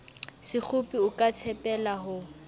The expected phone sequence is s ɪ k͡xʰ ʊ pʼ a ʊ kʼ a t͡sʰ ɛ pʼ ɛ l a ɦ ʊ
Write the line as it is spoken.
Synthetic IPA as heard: s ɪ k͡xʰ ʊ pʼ i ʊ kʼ a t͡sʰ ɛ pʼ ɛ l a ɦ ʊ